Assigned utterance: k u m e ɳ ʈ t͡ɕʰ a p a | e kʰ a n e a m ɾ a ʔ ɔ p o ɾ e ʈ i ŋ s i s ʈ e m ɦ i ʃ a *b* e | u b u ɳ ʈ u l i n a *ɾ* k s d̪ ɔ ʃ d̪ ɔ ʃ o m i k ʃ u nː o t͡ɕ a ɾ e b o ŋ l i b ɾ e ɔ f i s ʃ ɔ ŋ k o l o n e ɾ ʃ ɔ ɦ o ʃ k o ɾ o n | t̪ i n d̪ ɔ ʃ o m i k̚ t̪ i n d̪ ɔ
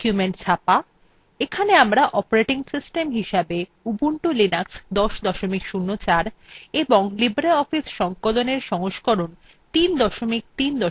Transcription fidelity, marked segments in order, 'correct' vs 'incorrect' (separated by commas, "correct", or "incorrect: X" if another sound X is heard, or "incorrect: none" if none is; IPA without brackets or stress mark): correct, incorrect: none